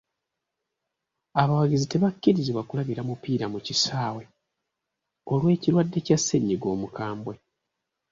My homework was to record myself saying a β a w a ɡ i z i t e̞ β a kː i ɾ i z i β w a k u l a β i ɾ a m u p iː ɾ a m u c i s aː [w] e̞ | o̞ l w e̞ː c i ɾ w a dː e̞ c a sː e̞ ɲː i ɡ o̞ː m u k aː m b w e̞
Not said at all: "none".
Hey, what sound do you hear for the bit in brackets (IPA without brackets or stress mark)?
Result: w